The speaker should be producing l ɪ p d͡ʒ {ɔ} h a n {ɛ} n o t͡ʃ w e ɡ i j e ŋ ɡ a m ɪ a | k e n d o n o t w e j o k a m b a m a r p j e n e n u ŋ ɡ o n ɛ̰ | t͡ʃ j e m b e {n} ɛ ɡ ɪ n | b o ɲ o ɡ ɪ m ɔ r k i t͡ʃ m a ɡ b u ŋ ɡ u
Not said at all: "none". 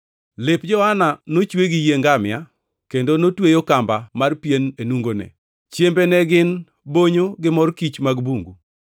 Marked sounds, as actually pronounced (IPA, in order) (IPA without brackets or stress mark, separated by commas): ɔ, a, n